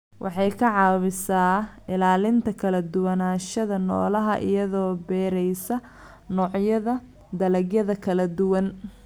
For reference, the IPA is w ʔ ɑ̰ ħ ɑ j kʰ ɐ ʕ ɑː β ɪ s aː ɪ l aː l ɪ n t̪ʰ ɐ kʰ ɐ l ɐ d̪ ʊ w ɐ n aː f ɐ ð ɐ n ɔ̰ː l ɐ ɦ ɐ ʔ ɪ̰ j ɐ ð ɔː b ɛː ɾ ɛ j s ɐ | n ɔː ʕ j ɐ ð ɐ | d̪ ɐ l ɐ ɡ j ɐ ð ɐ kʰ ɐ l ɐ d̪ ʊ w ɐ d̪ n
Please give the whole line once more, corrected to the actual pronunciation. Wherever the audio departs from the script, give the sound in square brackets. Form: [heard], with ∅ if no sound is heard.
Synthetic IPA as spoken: w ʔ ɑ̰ ħ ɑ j kʰ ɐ ʕ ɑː β ɪ s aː ɪ l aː l ɪ n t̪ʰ ɐ kʰ ɐ l ɐ d̪ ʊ w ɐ n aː [ʃ] ɐ ð ɐ n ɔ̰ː l ɐ ɦ ɐ ʔ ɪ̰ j ɐ ð ɔː b ɛː ɾ ɛ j s ɐ | n ɔː ʕ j ɐ ð ɐ | d̪ ɐ l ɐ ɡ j ɐ ð ɐ kʰ ɐ l ɐ d̪ ʊ w ɐ [∅] n